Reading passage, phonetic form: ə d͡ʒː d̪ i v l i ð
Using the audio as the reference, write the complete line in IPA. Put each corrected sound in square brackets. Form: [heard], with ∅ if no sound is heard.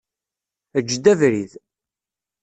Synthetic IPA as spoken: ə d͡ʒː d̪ [æ] v [ɾ] i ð